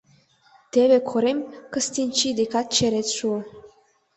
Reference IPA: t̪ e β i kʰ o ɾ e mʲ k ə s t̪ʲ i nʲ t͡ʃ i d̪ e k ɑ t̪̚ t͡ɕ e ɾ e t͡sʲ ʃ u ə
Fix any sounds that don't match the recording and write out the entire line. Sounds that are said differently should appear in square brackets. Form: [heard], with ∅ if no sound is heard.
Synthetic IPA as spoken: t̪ e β [e] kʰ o ɾ e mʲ k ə s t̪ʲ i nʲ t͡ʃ i d̪ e k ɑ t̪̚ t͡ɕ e ɾ e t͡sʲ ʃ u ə